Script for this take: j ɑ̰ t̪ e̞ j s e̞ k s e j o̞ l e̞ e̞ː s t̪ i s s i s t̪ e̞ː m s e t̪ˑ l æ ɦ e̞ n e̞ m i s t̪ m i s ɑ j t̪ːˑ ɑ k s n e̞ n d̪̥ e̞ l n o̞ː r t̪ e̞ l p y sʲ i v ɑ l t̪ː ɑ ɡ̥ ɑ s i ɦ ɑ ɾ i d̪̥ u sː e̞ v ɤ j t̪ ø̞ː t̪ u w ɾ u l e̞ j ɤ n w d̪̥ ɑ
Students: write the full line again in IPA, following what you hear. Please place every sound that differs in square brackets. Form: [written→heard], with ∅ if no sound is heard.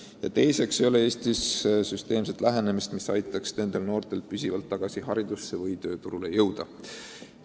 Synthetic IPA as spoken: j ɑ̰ t̪ e̞ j s e̞ k s e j o̞ l e̞ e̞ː s t̪ i s s [i→y] s t̪ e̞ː m s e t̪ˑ l æ ɦ e̞ n e̞ m i s t̪ m i s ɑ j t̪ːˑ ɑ k s n e̞ n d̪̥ e̞ l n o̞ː r t̪ e̞ l p y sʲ i v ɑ l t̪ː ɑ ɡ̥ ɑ s i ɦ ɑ ɾ i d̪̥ u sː e̞ v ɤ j t̪ ø̞ː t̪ u [w→∅] ɾ u l e̞ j ɤ [n→∅] w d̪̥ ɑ